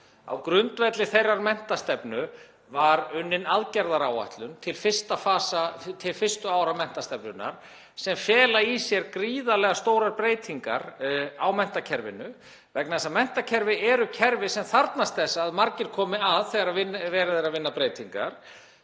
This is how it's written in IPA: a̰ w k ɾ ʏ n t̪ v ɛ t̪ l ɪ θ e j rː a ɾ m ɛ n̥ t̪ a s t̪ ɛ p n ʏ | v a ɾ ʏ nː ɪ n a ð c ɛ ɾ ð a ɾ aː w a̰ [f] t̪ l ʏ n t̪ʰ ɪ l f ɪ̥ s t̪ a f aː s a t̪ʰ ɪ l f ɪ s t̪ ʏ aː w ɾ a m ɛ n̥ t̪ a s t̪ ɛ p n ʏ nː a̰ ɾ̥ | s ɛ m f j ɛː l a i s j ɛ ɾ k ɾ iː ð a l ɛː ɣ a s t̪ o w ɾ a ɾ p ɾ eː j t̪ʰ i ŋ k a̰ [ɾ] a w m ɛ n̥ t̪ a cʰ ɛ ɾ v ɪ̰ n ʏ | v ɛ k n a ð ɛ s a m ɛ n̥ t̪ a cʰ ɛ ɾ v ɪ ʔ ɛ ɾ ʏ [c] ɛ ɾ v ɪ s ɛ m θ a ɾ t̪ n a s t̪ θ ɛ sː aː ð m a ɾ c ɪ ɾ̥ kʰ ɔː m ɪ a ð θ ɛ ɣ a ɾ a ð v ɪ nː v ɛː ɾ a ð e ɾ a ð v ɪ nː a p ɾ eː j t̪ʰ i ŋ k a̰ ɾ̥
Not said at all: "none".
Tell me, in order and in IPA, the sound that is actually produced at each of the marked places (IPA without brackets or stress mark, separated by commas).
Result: h, ɾ, cʰ